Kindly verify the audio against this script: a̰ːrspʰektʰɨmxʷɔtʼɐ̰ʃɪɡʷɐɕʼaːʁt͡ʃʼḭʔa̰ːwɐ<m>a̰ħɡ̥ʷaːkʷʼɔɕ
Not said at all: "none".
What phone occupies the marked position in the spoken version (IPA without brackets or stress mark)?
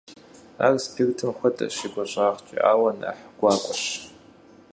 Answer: n